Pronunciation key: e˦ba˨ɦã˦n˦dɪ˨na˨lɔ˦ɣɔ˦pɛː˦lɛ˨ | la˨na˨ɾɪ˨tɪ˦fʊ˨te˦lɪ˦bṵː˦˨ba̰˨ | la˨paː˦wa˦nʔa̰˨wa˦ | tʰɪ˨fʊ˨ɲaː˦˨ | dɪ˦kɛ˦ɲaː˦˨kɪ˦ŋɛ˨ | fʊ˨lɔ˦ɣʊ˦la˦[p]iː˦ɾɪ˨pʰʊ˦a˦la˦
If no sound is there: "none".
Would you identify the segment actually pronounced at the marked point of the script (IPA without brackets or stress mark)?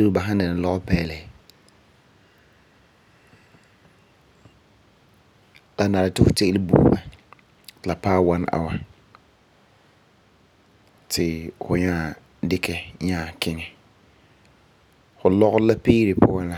p